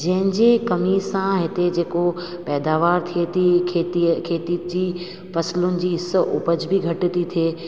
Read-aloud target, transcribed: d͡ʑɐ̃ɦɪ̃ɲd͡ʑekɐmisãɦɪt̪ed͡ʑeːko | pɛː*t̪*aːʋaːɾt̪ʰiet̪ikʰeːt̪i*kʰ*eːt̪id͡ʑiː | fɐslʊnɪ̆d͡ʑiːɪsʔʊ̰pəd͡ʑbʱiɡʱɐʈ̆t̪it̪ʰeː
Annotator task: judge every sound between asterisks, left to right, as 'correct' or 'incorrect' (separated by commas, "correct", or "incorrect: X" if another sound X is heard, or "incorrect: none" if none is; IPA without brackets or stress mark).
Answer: incorrect: d̪, correct